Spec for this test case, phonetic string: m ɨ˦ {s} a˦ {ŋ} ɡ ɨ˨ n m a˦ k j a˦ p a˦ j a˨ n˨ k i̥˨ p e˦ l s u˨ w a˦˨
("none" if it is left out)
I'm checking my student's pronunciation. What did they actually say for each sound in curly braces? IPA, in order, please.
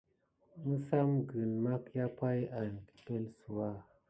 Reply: s, m

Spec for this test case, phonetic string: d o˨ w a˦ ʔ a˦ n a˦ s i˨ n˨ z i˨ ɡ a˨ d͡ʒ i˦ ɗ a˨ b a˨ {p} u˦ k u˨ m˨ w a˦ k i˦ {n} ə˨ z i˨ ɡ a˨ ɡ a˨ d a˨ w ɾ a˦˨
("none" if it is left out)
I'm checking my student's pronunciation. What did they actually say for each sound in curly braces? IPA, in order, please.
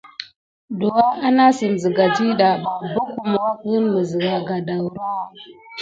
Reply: b, m

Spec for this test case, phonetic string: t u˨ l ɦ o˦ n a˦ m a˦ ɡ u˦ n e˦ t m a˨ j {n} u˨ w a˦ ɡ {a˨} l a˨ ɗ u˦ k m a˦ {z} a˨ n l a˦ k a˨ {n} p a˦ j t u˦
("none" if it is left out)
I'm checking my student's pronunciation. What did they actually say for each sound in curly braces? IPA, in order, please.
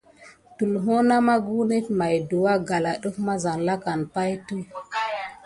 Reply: d, a˨, z, n

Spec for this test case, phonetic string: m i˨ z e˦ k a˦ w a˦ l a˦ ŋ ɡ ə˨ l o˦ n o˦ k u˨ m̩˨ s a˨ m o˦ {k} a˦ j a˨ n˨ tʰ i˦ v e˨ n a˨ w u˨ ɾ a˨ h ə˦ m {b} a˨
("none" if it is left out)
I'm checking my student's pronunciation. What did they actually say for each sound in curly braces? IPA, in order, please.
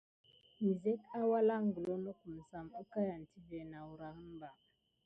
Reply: k, b

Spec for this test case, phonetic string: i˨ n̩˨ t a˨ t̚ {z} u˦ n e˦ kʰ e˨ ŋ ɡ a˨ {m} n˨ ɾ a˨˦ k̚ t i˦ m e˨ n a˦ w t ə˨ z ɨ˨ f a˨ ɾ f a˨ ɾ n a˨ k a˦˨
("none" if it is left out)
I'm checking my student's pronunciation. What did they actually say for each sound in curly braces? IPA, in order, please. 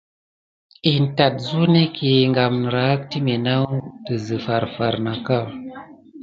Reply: z, m

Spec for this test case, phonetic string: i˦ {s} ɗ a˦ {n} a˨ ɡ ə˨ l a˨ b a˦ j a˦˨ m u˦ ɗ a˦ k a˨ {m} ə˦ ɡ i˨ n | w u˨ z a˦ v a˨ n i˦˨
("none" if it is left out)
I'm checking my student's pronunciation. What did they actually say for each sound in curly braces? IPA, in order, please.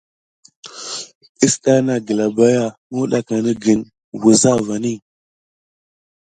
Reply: s, n, n

